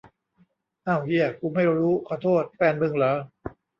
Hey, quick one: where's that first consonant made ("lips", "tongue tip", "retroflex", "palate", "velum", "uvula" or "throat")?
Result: throat